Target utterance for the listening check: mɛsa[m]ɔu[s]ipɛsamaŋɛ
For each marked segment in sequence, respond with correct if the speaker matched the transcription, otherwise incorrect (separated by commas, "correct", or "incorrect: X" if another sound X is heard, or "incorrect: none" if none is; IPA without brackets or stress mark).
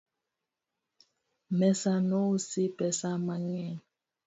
incorrect: n, correct